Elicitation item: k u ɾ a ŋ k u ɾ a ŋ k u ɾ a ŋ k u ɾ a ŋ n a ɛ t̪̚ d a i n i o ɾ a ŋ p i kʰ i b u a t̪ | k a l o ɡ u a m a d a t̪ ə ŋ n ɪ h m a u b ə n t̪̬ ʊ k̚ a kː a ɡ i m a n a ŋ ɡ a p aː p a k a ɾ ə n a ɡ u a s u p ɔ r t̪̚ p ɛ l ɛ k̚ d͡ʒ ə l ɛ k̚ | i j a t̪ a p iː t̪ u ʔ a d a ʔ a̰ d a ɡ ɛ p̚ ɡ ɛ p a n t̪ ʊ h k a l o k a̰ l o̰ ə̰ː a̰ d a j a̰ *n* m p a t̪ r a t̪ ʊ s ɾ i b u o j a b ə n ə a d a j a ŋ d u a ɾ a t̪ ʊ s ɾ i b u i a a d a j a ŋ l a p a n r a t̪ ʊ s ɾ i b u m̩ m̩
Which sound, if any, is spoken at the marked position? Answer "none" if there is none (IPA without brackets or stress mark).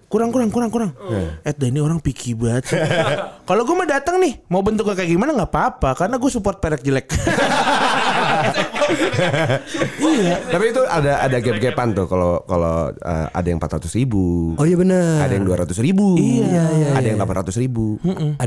ŋ